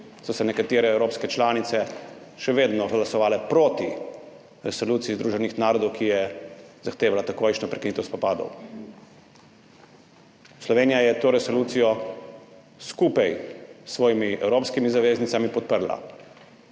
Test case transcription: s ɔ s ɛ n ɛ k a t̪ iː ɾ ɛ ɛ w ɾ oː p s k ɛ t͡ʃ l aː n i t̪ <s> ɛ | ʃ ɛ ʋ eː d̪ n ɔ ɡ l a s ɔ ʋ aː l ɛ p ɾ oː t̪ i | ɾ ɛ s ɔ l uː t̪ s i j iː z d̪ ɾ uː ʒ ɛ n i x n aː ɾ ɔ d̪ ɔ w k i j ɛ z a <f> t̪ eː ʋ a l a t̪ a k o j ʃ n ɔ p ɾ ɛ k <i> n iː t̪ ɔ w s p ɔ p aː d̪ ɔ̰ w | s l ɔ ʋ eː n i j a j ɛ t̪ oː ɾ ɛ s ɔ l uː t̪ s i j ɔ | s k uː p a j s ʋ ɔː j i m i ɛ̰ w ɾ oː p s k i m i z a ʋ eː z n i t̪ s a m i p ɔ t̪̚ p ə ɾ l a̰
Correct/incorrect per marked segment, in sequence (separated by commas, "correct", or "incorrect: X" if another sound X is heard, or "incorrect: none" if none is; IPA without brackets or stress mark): correct, incorrect: x, correct